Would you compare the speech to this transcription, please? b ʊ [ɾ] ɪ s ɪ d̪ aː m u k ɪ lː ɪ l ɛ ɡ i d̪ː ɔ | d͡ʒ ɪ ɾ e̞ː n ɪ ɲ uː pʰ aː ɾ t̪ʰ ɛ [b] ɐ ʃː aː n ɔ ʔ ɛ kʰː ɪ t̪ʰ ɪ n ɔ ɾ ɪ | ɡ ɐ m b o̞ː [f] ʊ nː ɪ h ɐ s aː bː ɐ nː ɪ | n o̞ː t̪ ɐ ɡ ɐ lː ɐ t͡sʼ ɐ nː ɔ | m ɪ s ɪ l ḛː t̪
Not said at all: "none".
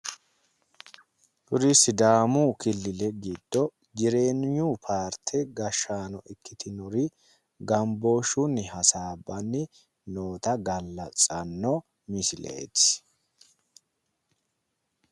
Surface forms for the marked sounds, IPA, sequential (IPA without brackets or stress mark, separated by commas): ɾ, ɡ, ʃ